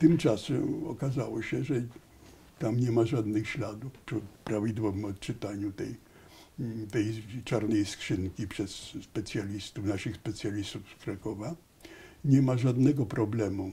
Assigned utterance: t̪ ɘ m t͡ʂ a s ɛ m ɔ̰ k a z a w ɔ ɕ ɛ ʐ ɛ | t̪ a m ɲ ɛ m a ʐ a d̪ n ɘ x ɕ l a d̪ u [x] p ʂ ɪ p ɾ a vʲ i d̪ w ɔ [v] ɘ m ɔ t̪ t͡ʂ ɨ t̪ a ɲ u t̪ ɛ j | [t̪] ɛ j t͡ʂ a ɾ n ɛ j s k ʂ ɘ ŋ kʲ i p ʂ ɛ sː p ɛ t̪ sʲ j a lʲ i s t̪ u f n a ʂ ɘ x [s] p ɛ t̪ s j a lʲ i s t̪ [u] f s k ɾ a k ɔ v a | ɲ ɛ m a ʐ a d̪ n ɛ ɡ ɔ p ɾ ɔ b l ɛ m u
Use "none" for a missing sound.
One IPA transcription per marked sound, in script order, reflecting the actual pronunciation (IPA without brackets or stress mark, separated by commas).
f, v, t̪, s, u